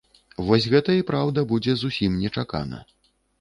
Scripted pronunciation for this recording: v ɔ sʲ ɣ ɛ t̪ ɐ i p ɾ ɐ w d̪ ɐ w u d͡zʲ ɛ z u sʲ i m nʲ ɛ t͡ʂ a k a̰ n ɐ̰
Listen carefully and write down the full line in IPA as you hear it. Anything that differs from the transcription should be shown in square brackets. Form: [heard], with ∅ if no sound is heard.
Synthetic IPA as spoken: v ɔ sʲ ɣ ɛ t̪ ɐ i p ɾ [a] w d̪ ɐ [b] u d͡zʲ ɛ z u sʲ i m nʲ ɛ t͡ʂ a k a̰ n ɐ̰

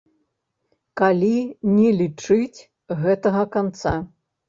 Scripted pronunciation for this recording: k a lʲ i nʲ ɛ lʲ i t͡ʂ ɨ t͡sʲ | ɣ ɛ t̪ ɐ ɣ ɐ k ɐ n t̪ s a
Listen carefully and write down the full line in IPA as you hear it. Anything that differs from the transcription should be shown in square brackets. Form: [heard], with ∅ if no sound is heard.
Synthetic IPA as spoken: k a lʲ i nʲ ɛ lʲ i t͡ʂ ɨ t͡sʲ | ɣ ɛ t̪ ɐ ɣ ɐ k [a] n t̪ s a

